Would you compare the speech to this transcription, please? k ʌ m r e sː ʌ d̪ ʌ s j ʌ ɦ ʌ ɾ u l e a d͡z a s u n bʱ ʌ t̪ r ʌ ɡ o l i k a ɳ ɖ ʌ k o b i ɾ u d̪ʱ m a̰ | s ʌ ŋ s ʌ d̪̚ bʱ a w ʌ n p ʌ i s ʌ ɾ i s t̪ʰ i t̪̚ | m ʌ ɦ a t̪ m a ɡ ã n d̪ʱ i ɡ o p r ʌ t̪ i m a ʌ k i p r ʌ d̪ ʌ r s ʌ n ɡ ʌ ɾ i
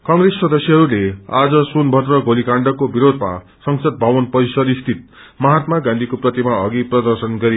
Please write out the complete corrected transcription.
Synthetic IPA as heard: k ʌ ŋ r e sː ʌ d̪ ʌ s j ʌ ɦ ʌ ɾ u l e a d͡z ʌ s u n bʱ ʌ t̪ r ʌ ɡ o l i k a ɳ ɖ ʌ k o b i ɾ o d̪ʱ m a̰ | s ʌ ŋ s ʌ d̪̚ bʱ a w ʌ n p ʌ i s ʌ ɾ i s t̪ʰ i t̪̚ | m ʌ ɦ a t̪ m a ɡ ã n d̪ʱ i k o p r ʌ t̪ i m a ʌ ɡ i p r ʌ d̪ ʌ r s ʌ n ɡ ʌ ɾ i